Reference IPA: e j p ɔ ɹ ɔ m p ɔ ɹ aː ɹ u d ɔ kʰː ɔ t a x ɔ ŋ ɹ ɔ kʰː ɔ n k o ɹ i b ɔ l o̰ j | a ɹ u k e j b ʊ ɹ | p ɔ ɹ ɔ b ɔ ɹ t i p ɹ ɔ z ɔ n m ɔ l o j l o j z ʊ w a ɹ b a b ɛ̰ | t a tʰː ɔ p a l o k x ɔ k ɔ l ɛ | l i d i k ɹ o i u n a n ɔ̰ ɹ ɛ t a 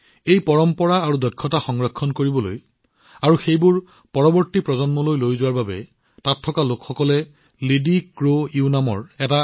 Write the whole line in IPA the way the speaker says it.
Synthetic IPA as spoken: e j p ɔ ɹ ɔ m p ɔ ɹ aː ɹ u d ɔ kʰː ɔ t a x ɔ ŋ ɹ ɔ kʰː ɔ n k o ɹ i b ɔ l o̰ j | a ɹ u x e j b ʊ ɹ | p ɔ ɹ ɔ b ɔ ɹ t i p ɹ ɔ z ɔ n m ɔ l o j l o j z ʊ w a ɹ b a b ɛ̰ | t a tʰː ɔ k a l o k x ɔ k ɔ l ɛ | l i d i k ɹ o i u n a m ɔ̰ ɹ ɛ t a